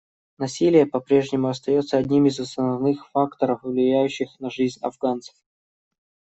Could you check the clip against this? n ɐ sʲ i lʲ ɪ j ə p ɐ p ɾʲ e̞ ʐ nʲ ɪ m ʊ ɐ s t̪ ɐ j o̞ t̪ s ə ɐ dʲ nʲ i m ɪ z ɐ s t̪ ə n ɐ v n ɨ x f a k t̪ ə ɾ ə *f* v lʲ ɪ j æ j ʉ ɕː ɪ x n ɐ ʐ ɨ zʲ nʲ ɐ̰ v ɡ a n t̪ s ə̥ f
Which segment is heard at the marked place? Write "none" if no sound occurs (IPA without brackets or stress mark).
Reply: f